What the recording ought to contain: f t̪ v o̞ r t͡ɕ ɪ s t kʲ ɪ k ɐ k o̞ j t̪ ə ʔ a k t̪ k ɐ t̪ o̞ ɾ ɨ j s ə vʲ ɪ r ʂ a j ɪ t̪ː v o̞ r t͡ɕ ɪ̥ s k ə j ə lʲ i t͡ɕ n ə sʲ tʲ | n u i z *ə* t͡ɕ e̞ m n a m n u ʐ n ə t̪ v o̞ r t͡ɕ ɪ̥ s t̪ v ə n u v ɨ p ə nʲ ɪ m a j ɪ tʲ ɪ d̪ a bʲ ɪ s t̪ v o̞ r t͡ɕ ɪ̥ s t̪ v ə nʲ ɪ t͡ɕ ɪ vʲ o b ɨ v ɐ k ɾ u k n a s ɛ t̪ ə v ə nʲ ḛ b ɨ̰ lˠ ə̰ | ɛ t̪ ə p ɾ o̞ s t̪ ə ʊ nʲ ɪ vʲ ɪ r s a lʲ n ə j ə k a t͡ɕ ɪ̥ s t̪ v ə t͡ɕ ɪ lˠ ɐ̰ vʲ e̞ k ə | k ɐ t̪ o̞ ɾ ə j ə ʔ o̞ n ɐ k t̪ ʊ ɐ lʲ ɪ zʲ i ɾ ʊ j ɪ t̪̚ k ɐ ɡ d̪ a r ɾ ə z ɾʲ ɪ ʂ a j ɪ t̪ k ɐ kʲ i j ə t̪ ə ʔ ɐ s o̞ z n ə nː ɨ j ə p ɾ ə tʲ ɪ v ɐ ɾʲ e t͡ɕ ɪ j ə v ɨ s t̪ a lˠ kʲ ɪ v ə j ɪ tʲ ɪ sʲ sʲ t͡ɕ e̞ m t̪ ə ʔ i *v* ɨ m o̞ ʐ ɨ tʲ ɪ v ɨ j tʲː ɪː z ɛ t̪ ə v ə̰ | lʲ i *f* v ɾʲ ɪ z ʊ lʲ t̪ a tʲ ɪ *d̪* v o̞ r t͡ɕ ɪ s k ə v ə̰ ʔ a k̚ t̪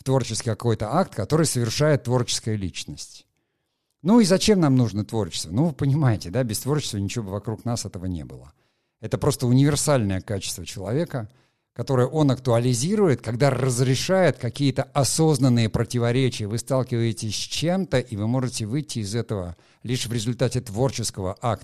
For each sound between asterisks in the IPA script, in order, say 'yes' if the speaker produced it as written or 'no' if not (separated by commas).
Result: no, yes, no, no